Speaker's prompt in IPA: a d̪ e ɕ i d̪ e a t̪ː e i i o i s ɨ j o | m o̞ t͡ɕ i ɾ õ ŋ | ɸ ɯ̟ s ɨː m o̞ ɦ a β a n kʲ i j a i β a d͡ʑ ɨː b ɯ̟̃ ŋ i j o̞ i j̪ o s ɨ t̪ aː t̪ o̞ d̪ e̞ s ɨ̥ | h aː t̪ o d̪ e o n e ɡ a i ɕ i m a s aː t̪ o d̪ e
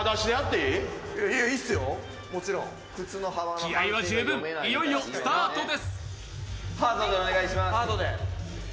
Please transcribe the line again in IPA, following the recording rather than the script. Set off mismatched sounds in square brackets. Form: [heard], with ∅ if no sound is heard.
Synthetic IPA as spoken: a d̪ [a] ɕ i d̪ e a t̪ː e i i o i s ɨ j o | m o̞ t͡ɕ i ɾ õ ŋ | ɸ ɯ̟ [t͡s] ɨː [n] o̞ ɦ a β a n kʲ i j a i β a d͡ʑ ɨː b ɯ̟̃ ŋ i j o̞ i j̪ o s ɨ t̪ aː t̪ o̞ d̪ e̞ s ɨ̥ | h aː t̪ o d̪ e o n e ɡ a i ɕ i m a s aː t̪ o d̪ e